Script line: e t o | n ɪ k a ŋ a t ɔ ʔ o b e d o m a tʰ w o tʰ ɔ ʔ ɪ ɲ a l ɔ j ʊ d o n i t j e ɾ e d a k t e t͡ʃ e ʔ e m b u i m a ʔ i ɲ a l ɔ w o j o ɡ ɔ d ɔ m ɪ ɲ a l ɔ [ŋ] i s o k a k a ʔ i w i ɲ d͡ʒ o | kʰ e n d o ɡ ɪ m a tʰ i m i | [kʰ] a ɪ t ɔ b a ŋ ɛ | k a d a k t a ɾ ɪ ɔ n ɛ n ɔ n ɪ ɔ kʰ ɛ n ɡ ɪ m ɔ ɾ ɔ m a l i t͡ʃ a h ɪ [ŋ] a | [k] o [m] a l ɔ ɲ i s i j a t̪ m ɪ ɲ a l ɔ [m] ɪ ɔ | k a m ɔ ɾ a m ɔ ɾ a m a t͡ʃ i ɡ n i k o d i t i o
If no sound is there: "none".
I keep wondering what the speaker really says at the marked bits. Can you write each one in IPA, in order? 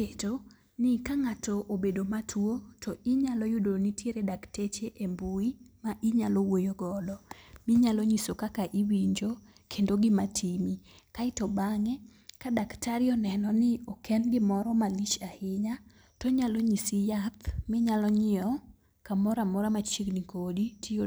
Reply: ɲ, k, ɲ, t, ɲ, ɲ

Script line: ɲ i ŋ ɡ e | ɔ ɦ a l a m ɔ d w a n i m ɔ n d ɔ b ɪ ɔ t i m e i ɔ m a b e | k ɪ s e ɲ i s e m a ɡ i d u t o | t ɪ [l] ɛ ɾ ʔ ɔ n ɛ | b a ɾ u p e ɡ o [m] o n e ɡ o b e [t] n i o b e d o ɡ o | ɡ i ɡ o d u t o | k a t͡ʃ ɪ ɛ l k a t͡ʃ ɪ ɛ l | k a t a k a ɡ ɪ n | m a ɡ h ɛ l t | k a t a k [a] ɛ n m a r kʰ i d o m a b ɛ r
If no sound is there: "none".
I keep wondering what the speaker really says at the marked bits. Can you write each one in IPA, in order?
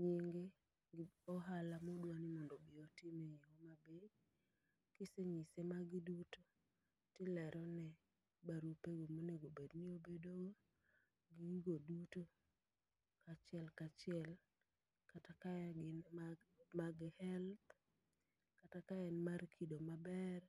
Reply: l, m, d, a

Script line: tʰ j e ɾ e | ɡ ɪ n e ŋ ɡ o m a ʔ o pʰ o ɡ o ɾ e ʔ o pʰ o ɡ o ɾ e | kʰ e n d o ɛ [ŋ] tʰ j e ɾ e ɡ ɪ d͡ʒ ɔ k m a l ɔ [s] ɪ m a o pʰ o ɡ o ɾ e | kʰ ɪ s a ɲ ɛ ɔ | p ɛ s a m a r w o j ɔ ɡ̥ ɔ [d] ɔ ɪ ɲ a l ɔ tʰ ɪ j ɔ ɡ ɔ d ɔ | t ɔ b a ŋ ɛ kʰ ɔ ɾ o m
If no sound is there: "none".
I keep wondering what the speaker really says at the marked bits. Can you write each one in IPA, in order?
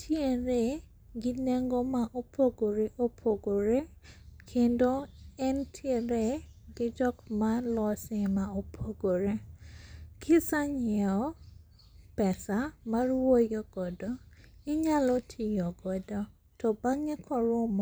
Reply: n, s, d

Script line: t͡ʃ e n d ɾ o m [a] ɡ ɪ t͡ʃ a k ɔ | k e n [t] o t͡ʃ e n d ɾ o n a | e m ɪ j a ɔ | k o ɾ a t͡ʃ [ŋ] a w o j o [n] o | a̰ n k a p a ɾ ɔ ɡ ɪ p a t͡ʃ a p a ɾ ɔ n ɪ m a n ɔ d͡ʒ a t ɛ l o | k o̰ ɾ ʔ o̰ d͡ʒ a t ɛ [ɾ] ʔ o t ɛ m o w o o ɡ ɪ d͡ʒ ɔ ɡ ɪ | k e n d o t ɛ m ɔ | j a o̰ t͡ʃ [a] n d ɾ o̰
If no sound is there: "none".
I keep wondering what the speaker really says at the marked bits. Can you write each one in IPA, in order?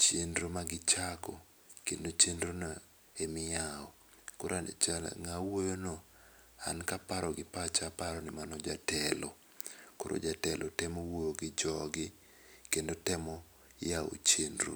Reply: a, d, ŋ, n, l, e

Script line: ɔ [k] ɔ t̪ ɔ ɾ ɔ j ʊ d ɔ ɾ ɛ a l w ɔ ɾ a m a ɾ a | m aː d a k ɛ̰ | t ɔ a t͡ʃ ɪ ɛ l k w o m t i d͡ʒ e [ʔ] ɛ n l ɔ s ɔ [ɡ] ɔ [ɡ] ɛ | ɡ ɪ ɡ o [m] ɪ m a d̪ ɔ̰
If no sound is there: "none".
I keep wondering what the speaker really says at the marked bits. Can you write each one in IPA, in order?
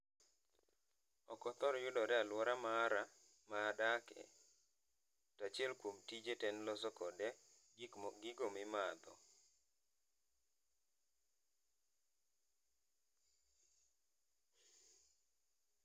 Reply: k, t, k, d, m

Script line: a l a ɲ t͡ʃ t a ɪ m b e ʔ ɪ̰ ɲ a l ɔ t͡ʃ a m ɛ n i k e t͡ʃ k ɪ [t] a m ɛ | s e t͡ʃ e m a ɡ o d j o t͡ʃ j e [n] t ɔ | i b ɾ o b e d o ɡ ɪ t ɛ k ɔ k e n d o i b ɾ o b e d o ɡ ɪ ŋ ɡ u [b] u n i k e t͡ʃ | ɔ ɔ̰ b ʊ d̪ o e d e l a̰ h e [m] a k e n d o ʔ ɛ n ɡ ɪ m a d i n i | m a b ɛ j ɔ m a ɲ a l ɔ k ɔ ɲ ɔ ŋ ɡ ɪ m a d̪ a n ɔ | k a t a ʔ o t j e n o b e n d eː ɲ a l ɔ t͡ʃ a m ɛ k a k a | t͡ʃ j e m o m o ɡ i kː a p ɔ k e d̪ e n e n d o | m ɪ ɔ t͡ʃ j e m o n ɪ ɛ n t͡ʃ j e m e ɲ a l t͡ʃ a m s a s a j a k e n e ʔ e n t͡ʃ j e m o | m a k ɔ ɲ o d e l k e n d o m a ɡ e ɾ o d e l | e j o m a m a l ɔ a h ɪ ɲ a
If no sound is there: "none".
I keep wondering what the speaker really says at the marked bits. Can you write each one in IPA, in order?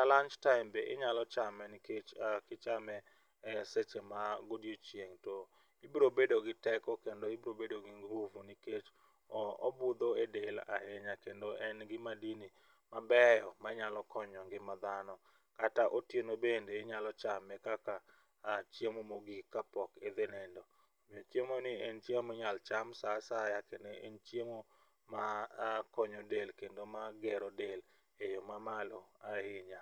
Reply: t͡ʃ, ŋ, v, ɲ

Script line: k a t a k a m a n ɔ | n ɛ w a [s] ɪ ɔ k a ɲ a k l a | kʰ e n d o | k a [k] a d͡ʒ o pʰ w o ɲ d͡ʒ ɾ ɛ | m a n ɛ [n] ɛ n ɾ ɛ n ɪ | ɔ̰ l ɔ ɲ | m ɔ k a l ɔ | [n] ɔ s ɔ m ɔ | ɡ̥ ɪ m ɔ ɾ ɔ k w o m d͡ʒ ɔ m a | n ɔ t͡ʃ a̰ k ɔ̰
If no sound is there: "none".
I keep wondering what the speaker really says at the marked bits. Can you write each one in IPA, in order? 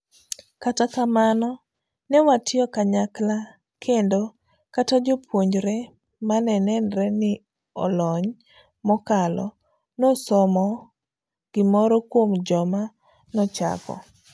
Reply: t, t, n, n

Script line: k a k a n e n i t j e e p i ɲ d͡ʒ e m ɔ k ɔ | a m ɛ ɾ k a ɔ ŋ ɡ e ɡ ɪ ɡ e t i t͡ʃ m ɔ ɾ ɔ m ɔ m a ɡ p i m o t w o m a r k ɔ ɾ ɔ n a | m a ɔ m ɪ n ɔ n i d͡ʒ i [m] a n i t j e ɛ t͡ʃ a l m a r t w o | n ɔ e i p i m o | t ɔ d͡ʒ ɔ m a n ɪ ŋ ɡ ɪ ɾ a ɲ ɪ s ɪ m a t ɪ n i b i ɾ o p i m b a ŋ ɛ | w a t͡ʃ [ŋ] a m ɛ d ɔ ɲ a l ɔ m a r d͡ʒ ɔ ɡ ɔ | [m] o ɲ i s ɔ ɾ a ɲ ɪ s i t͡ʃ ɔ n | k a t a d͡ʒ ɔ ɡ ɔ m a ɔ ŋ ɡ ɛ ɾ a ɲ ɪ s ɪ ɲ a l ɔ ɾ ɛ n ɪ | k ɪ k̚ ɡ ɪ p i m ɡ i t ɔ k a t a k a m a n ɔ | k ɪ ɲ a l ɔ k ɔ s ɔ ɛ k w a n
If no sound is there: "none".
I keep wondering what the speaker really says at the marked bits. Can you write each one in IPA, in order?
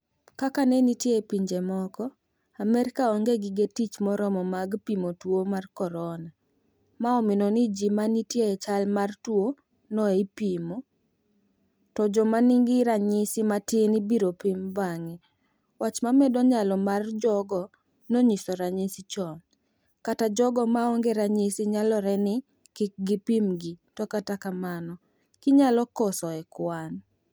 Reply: m, m, n

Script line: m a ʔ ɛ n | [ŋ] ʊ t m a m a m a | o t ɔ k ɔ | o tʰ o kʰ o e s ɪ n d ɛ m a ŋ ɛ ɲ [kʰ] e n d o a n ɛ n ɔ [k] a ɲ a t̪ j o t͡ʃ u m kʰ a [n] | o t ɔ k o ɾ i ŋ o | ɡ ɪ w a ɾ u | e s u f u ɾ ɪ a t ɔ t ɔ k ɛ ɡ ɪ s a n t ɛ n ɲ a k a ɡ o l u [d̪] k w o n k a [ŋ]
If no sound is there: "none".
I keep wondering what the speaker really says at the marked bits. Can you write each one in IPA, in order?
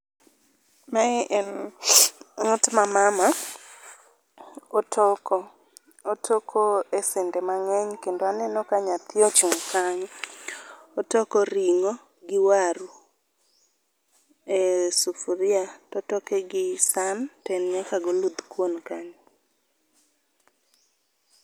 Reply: ŋ, k, k, ɲ, d̪, ɲ

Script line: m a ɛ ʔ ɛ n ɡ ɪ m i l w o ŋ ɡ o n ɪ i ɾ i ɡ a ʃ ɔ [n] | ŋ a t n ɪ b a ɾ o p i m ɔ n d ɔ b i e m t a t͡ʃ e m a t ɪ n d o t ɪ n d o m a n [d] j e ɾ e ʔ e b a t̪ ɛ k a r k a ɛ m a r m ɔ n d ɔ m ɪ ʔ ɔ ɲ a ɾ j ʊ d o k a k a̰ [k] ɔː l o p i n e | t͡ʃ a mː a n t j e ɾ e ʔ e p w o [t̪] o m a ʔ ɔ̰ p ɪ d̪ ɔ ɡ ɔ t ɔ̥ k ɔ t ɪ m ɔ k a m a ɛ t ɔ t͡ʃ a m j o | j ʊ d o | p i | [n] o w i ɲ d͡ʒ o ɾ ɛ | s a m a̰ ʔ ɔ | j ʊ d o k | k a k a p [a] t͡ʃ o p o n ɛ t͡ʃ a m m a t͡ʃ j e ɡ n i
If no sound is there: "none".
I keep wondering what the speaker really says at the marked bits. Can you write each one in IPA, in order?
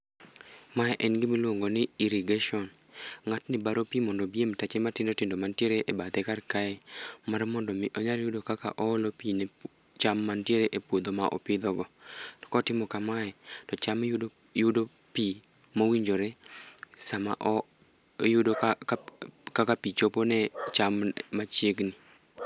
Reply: n, t, ʔ, d̪, m, i

